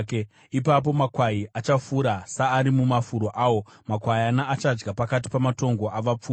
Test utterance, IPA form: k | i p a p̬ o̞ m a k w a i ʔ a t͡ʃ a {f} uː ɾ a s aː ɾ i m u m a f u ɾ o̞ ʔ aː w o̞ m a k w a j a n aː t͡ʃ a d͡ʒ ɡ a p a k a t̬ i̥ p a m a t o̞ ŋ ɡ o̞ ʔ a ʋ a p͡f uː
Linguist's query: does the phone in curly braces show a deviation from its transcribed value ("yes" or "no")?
no